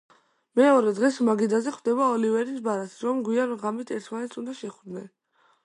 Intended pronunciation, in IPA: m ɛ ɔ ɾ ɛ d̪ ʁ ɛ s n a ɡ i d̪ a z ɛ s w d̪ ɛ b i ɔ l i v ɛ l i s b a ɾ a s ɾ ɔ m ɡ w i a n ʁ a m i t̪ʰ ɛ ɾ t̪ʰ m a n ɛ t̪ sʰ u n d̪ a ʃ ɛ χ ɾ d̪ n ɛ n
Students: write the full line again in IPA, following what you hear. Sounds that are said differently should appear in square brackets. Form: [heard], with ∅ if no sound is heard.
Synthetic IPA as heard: m ɛ ɔ ɾ ɛ d̪ ʁ ɛ s [m] a ɡ i d̪ a z ɛ [χ] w d̪ ɛ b [a] ɔ l i v ɛ [ɾ] i s b a ɾ a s ɾ ɔ m ɡ w i a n ʁ a m i t̪ʰ ɛ ɾ t̪ʰ m a n ɛ t̪ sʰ u n d̪ a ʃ ɛ χ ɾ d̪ n ɛ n